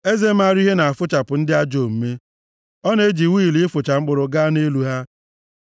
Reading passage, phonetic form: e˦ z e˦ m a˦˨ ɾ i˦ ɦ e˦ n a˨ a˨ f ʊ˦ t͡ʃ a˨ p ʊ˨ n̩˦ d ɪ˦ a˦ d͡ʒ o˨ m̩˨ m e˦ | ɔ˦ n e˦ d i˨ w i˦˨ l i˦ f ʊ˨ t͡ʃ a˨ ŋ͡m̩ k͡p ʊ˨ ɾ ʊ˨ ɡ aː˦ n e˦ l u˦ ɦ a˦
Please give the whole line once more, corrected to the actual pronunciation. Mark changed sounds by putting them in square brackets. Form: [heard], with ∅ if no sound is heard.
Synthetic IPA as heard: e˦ z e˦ m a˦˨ ɾ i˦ ɦ e˦ n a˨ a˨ f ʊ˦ t͡ʃ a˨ p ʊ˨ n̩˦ d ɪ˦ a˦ d͡ʒ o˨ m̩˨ m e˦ | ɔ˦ n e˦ [d͡ʒ] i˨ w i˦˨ l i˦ f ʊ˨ t͡ʃ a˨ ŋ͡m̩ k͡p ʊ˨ ɾ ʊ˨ ɡ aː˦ n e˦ l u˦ ɦ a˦